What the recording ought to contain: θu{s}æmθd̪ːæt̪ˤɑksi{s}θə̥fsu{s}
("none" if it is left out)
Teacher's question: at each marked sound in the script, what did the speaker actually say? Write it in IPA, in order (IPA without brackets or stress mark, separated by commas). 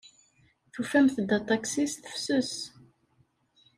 f, s, s